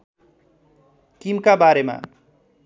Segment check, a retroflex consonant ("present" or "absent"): absent